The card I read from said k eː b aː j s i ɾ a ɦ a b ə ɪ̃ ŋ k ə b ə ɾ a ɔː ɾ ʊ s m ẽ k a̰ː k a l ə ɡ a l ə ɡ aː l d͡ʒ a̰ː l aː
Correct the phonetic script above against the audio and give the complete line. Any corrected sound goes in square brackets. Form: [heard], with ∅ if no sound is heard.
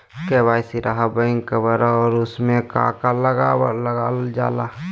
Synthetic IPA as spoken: k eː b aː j s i ɾ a ɦ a b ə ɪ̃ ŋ k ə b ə ɾ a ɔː ɾ ʊ s m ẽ k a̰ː k a l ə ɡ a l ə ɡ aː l d͡ʒ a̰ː l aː